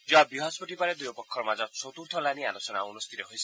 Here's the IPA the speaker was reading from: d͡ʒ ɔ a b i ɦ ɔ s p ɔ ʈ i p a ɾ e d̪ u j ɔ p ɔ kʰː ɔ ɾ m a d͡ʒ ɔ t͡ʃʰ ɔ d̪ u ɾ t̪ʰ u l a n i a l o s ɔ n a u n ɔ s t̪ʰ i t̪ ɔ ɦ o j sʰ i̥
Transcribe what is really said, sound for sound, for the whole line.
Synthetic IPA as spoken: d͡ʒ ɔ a b i ɦ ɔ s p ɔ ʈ i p a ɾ e d̪ u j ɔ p ɔ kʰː ɔ ɾ m a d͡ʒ ɔ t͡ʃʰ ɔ t̪ u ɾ t̪ʰ ɔ l a n i a l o s ɔ n a u n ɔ s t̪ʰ i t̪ ɔ ɦ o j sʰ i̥